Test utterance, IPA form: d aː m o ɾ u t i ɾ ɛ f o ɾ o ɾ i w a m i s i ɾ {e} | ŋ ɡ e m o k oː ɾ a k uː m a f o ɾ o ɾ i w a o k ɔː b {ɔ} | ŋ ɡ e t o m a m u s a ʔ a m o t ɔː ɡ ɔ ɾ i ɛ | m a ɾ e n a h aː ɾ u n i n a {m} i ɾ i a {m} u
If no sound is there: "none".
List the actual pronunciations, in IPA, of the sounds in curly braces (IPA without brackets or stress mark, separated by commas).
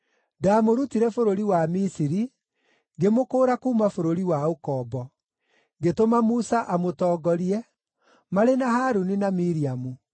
i, ɔ, m, m